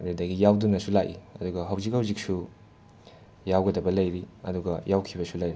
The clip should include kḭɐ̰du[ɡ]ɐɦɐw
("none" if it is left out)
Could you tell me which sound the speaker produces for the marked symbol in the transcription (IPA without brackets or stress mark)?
ɡ